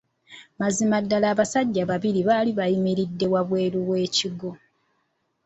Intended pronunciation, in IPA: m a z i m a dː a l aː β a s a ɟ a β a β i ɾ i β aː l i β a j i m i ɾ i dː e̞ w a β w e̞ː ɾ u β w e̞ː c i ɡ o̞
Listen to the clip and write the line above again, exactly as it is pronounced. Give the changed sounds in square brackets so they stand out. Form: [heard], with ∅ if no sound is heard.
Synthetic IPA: m a z i m a dː a l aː β a s a [ɟː] a β a β i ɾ i β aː l i β a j i m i ɾ i dː e̞ w a β w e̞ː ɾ u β w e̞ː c i ɡ o̞

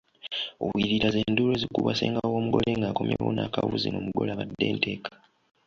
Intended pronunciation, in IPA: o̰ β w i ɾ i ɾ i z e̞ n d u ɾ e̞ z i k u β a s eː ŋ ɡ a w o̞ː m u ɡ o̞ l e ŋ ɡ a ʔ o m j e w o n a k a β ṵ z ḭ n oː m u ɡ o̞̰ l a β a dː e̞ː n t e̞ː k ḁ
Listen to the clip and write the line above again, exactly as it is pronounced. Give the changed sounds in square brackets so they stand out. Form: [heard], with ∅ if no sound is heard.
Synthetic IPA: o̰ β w i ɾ i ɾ [a] z e̞ n d u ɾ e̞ z i k u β a s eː ŋ ɡ a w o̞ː m u ɡ o̞ l e ŋ ɡ a [k] o m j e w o n a k a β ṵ z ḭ n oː m u ɡ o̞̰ l a β a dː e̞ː n t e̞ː k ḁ

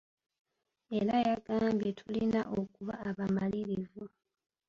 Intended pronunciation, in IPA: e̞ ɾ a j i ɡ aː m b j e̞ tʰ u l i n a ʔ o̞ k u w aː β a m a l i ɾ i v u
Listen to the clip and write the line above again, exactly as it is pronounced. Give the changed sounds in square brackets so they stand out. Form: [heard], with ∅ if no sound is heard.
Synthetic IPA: e̞ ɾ a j [a] ɡ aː m b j e̞ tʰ u l i n a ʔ o̞ k u [β] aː β a m a l i ɾ i v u

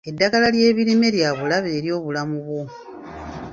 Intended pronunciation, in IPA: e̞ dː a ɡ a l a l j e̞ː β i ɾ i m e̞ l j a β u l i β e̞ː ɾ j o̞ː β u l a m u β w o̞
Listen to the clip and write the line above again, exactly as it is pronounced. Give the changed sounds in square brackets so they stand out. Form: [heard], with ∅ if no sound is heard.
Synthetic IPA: e̞ dː a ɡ a l a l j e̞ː β i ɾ i m e̞ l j a β u l [a] β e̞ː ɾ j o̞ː β u l a m u β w o̞

